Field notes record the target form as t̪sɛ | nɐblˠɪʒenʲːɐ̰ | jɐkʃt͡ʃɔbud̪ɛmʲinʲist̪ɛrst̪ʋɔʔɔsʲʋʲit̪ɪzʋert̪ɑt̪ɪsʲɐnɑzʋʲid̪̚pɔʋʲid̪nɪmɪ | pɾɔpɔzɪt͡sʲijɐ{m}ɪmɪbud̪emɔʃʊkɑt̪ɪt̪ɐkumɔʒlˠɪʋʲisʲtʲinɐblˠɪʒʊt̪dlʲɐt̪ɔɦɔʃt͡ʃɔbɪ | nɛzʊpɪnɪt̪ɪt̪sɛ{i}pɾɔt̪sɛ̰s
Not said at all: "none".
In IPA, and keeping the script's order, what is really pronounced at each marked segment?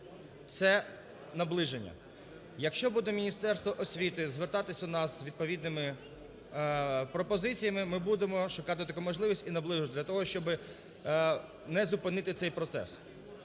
m, j

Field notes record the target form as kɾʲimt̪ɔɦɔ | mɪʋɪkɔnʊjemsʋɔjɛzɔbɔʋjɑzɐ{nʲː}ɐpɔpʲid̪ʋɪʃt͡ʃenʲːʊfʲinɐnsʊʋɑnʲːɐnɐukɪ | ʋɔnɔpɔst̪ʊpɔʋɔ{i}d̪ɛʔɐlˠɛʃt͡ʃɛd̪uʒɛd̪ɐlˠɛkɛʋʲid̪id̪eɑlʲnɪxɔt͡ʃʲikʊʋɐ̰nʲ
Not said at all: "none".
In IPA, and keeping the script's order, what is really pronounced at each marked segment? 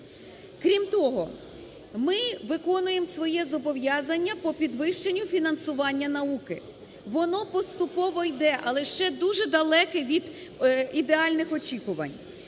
nʲː, j

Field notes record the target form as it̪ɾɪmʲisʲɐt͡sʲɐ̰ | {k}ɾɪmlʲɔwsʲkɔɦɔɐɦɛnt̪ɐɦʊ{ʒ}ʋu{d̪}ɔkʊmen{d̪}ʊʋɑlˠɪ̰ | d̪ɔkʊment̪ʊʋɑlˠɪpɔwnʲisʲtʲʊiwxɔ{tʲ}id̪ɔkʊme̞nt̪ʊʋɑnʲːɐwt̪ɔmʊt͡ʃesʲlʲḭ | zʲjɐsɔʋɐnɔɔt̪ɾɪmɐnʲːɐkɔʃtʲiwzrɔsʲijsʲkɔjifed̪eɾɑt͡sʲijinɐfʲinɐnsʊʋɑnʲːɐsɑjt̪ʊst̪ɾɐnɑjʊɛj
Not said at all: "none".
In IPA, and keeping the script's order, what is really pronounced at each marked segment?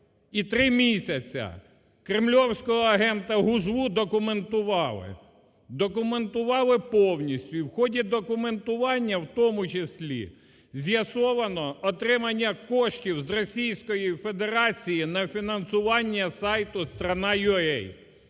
k, ʒ, d̪, t̪, dʲ

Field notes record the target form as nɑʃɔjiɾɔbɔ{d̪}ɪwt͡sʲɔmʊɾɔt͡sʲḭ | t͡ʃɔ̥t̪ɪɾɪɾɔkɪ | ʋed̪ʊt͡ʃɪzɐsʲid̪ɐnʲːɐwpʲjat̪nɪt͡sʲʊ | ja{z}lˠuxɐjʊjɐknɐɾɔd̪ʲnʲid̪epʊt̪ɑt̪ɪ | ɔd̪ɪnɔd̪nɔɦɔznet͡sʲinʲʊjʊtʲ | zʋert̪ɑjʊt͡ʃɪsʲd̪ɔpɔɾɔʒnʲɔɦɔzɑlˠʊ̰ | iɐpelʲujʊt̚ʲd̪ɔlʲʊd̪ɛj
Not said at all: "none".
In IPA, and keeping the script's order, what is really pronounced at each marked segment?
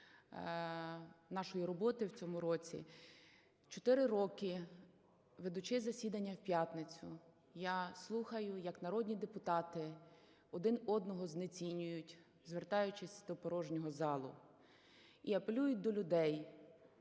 t̪, s

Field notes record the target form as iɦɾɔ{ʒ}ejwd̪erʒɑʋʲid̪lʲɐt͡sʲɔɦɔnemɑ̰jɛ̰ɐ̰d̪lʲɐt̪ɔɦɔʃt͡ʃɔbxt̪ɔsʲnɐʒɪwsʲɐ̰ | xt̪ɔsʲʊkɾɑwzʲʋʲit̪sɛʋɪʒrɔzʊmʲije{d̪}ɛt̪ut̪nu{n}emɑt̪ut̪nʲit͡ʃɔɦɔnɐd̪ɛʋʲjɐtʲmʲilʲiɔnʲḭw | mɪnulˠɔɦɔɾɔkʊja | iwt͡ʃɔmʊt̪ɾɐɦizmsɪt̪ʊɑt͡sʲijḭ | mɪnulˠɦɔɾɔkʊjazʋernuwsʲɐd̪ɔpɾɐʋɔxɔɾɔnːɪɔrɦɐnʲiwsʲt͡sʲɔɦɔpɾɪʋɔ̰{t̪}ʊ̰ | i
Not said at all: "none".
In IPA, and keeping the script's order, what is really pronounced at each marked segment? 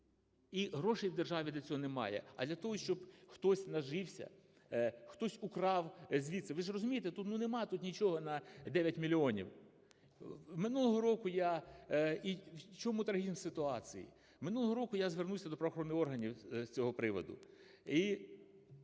ʃ, t̪, n, d̪

